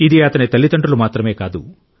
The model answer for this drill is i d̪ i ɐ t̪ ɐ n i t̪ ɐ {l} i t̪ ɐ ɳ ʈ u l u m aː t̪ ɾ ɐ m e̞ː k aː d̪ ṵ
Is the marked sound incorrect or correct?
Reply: incorrect